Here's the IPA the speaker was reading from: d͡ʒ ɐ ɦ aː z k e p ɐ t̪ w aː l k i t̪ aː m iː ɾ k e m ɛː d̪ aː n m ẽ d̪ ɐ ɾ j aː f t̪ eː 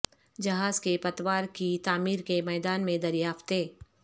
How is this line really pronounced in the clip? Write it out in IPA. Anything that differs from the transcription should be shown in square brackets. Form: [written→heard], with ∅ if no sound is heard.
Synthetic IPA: d͡ʒ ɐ ɦ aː z k e p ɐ t̪ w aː [l→ɾ] k i t̪ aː m iː ɾ k e m ɛː d̪ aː n m ẽ d̪ ɐ ɾ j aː f t̪ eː